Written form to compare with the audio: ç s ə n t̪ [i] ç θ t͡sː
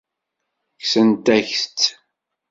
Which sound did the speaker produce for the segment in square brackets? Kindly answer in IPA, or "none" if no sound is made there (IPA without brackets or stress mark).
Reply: æ